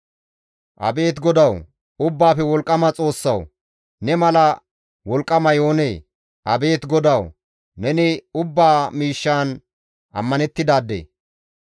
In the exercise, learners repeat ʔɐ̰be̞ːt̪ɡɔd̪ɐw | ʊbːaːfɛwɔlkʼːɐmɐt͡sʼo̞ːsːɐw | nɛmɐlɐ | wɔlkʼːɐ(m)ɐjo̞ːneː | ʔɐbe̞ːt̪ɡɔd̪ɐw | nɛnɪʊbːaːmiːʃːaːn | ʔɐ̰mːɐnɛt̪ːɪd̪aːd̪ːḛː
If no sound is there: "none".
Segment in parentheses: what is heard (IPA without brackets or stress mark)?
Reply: m